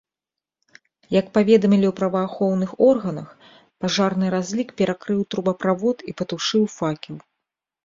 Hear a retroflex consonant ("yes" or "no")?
yes